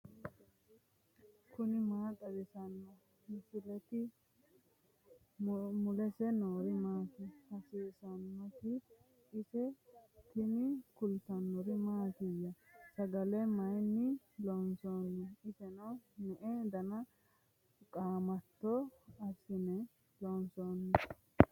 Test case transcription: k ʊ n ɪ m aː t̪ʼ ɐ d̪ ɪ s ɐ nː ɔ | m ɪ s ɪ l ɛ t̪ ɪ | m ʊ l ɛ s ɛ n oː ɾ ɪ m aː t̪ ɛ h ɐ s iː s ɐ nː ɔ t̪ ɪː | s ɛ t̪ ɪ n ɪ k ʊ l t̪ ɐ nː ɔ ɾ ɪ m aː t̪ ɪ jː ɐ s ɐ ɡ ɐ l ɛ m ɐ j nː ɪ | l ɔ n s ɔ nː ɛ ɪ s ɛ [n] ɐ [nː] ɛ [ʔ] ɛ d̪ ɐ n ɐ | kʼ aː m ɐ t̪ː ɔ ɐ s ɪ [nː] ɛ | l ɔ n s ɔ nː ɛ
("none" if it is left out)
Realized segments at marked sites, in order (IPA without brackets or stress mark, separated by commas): n, n, ʔ, n